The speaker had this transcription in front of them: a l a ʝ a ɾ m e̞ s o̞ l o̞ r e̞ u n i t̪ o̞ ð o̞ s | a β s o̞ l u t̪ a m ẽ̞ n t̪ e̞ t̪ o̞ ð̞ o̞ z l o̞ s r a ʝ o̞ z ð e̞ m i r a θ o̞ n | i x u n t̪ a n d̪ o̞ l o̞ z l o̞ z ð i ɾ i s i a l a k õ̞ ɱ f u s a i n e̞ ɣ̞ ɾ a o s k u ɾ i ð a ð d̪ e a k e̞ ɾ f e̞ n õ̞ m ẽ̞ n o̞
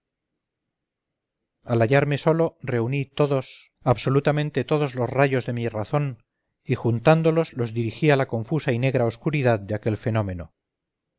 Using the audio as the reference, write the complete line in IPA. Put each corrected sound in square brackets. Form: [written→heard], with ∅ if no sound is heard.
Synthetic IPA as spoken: a l a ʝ a ɾ m e̞ s o̞ l o̞ r e̞ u n i t̪ o̞ ð o̞ s | a β s o̞ l u t̪ a m ẽ̞ n t̪ e̞ t̪ o̞ ð̞ o̞ z l o̞ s r a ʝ o̞ z ð e̞ m i r a θ o̞ n | i x u n t̪ a n d̪ o̞ l o̞ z l o̞ z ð i ɾ i [s→x] i a l a k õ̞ ɱ f u s a i n e̞ ɣ̞ ɾ a o s k u ɾ i ð a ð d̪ e a k e̞ [ɾ→l] f e̞ n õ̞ m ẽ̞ n o̞